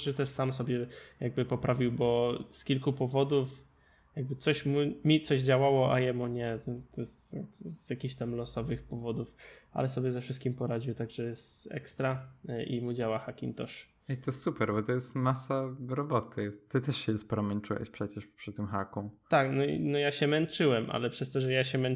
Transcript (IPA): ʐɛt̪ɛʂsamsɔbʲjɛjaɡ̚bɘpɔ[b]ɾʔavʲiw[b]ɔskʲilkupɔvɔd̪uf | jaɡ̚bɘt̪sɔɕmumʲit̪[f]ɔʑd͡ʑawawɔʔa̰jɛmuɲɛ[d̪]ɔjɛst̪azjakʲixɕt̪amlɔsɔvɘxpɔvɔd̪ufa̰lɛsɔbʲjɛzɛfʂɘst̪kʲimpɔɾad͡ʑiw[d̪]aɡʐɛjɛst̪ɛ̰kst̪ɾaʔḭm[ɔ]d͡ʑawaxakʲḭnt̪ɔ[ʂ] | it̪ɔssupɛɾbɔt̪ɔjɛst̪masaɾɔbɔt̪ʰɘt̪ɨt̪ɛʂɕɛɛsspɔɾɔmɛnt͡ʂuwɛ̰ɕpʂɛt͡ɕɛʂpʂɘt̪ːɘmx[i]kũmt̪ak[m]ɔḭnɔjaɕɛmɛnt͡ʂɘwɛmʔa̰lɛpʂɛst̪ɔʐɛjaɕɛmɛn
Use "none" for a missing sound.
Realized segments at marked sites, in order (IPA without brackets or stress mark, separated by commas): p, b, s, t̪, t̪, u, ʂ, a, n